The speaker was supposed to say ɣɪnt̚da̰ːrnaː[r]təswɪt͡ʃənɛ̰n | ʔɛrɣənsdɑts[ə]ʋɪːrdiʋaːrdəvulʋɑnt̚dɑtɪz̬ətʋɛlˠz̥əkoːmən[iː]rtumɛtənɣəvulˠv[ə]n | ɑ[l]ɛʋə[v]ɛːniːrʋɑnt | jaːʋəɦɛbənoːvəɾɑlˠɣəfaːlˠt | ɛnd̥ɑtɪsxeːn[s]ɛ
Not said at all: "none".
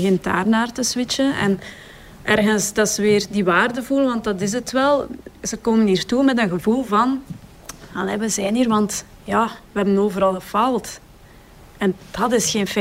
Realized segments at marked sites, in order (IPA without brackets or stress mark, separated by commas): r, ə, iː, ɑ, l, z, f